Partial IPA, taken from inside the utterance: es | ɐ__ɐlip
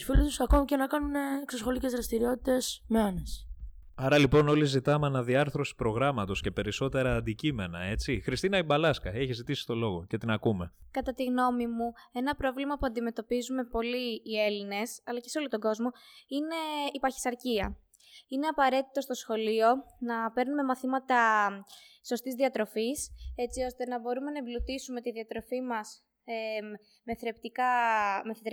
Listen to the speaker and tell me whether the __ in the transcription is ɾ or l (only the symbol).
ɾ